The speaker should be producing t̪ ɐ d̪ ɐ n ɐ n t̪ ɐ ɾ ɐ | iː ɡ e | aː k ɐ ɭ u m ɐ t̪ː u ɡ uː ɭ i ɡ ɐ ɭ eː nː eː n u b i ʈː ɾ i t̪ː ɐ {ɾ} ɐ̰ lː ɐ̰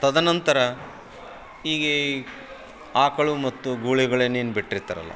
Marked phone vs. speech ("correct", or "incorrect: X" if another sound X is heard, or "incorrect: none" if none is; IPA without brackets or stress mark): correct